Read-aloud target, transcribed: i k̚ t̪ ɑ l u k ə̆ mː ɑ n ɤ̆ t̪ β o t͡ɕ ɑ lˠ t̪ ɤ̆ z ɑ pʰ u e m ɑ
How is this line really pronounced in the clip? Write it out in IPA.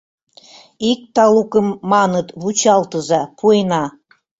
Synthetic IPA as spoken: i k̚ t̪ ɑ l u k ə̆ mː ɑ n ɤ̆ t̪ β u t͡ɕ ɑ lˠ t̪ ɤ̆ z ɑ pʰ u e n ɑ